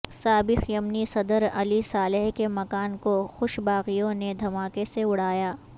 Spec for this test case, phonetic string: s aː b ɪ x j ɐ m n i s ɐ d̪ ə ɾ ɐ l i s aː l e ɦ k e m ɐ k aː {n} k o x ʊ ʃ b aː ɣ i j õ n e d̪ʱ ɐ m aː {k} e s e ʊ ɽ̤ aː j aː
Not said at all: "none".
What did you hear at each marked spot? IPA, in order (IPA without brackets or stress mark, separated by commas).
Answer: n, k